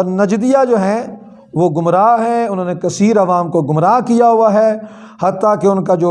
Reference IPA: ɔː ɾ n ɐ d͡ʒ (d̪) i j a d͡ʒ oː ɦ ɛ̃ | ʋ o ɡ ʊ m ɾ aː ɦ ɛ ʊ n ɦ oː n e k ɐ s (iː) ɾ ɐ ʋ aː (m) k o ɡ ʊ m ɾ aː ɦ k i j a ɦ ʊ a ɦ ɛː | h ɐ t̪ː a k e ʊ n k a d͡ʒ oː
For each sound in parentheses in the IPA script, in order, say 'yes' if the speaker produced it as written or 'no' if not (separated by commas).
yes, yes, yes